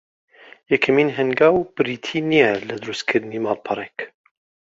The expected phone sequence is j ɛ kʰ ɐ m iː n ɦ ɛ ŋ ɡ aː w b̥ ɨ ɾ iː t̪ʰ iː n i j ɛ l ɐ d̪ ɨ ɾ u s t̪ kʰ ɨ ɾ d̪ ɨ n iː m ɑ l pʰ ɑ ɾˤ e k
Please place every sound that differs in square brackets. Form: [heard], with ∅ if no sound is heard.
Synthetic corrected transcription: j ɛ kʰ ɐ m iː n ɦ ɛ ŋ ɡ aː w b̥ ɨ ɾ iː t̪ʰ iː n i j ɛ l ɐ d̪ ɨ ɾ u s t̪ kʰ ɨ ɾ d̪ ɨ n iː m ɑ l pʰ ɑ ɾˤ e k